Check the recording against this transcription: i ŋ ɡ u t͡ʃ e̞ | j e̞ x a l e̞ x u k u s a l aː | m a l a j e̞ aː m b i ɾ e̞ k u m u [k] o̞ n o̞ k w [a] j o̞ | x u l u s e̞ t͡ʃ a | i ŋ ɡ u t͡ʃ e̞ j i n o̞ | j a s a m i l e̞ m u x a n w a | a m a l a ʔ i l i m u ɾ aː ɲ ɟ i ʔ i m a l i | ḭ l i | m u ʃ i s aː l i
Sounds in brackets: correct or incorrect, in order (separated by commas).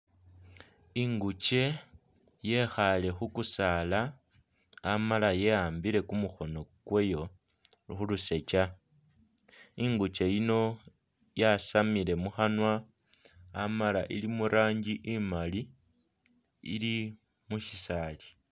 incorrect, incorrect